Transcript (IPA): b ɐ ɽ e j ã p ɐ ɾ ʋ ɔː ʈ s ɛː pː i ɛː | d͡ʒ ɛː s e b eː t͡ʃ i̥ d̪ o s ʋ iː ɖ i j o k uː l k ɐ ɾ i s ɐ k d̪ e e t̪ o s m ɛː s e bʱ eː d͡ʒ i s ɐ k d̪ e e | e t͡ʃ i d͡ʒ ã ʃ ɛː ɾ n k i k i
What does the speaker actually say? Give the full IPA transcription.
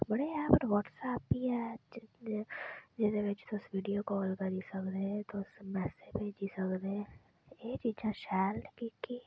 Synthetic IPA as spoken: b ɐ ɽ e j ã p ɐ ɾ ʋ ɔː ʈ s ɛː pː i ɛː | d͡ʒ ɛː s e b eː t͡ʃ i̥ t̪ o s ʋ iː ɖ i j o k ɔː l k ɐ ɾ i s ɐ k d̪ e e t̪ o s m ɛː s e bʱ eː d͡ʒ i s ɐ k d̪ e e | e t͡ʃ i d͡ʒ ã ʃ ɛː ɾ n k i k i